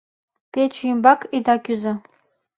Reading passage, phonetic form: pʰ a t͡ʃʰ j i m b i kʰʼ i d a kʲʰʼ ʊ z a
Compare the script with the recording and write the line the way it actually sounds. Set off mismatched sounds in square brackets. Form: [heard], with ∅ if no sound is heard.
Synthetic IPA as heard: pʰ [e] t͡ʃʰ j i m b [a] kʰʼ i d a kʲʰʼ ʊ z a